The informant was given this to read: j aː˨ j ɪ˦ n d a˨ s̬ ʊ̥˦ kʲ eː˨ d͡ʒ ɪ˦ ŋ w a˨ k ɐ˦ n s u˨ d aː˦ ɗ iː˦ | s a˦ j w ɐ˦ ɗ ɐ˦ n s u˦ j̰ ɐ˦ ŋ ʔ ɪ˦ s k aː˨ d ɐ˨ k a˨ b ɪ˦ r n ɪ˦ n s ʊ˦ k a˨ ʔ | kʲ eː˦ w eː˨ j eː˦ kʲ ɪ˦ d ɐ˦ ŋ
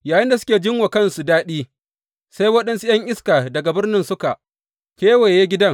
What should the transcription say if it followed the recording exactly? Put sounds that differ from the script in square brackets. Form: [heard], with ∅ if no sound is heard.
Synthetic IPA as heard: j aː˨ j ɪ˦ n d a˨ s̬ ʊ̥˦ kʲ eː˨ d͡ʒ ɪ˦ ŋ w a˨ k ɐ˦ n s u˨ d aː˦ ɗ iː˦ | s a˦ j w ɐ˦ ɗ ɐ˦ n s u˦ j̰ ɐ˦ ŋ ʔ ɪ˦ s k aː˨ d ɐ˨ [ɡ] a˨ b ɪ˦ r n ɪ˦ n s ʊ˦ k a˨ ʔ | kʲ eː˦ w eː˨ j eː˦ [ɡʲ] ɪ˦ d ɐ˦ ŋ